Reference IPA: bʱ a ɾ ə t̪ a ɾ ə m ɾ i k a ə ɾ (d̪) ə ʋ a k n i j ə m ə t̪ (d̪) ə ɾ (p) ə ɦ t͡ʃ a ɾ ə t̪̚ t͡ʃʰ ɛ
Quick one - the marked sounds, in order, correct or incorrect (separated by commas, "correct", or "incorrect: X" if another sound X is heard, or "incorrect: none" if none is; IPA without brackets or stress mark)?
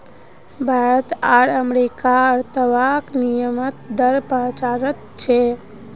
incorrect: t̪, correct, correct